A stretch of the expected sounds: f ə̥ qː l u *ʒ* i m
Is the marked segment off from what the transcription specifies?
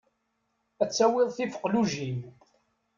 no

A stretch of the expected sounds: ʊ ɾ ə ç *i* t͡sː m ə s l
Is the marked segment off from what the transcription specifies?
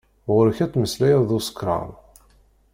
yes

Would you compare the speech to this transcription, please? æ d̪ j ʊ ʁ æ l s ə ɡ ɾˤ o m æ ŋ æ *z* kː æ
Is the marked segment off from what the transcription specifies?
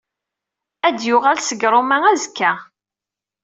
no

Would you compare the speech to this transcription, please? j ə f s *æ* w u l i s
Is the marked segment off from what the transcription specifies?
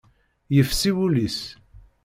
yes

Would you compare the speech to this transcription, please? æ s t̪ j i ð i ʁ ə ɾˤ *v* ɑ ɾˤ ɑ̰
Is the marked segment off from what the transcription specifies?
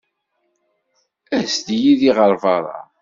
no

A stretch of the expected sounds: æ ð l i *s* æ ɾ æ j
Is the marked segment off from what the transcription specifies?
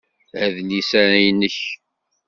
no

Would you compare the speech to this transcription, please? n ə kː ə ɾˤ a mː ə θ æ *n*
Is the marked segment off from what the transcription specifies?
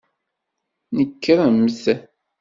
yes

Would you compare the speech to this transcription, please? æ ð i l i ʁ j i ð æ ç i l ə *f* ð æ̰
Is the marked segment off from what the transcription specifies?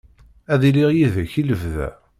yes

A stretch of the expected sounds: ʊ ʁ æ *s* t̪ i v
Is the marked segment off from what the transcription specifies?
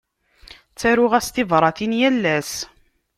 no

